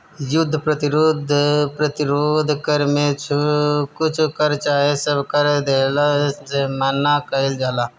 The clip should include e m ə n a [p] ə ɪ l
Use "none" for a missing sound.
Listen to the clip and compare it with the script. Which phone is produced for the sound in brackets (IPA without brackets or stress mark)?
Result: k